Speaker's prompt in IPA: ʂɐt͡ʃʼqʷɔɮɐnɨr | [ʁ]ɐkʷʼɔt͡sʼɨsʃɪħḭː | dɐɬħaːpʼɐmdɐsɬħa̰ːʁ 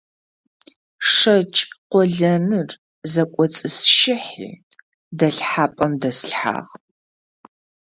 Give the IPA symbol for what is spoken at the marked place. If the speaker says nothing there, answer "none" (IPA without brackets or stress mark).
z